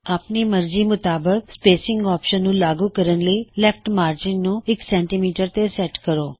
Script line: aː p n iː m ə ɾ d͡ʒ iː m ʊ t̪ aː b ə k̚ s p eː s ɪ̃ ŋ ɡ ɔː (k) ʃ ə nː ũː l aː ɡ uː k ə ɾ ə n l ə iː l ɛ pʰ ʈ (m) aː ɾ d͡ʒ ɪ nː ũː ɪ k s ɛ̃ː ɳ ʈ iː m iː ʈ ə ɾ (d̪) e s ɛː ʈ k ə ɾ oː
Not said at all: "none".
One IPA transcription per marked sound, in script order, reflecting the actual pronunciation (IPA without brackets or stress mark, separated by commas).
p, m, t̪